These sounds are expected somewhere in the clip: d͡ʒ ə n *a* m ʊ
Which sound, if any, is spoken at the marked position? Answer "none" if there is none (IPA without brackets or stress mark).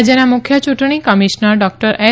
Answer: a